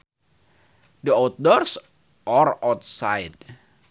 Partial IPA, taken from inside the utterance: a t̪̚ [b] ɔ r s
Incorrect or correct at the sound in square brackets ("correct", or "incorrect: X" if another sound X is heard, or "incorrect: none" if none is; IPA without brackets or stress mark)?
incorrect: d